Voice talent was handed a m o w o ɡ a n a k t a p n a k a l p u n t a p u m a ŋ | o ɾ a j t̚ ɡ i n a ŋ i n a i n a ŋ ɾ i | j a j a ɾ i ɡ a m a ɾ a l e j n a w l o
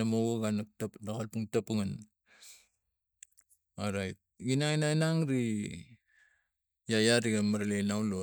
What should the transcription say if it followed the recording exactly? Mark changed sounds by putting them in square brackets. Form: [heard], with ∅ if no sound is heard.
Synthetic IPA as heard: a m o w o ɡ a n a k t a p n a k a l p u [ŋ] t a p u [ŋ] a [n] | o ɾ a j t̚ ɡ i n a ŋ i n a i n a ŋ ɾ i | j a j a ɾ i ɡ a m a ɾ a l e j n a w l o